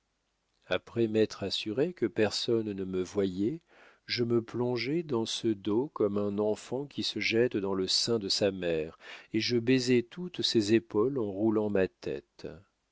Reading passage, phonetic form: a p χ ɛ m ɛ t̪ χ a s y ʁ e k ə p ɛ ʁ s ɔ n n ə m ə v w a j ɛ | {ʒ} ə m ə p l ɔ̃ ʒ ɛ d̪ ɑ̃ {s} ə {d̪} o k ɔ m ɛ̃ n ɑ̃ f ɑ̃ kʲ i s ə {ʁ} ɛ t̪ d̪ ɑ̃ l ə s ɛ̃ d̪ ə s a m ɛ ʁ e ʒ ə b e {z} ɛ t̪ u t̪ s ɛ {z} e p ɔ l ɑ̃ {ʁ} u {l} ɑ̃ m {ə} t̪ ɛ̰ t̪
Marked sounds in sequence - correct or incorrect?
correct, correct, correct, incorrect: ʒ, correct, correct, correct, correct, incorrect: a

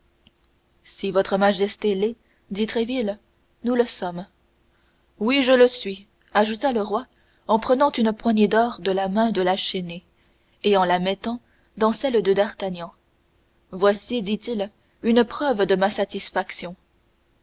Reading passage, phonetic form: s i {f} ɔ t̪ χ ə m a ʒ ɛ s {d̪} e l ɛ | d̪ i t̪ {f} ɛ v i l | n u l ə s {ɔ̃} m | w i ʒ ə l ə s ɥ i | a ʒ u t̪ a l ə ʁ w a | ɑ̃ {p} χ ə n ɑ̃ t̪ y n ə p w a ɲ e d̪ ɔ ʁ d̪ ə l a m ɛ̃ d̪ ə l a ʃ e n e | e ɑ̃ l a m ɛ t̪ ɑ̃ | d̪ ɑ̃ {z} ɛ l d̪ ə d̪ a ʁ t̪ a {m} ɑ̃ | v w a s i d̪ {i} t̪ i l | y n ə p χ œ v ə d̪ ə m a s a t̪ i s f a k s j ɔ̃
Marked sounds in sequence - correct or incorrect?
incorrect: v, incorrect: t̪, incorrect: χ, incorrect: ɔ, correct, incorrect: s, incorrect: ɲ, correct

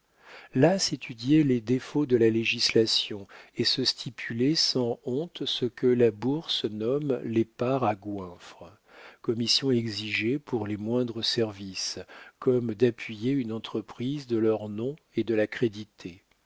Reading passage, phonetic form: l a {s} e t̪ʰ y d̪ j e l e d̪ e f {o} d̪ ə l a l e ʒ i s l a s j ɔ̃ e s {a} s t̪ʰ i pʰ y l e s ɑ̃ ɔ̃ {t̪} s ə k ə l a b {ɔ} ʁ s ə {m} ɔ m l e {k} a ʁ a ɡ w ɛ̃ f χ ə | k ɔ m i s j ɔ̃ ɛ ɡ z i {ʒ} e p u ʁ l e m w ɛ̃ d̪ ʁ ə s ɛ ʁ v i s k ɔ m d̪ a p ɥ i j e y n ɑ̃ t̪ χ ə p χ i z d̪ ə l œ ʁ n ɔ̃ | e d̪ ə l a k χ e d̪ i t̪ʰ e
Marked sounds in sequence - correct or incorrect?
correct, correct, incorrect: ə, correct, incorrect: u, incorrect: n, incorrect: p, correct

